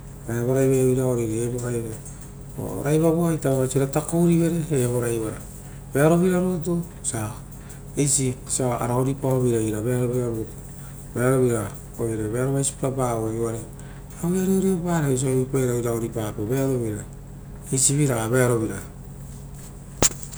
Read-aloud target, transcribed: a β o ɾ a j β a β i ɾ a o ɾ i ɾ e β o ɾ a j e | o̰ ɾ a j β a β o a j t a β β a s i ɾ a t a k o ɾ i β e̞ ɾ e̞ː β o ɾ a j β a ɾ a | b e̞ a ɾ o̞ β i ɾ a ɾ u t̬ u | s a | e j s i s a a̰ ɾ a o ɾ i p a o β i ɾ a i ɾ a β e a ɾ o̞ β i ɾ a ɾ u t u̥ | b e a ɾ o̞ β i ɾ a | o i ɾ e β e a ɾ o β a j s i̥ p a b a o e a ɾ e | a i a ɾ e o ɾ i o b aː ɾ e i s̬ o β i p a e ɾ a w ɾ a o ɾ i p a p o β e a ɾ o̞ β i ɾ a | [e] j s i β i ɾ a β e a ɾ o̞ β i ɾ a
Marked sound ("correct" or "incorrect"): correct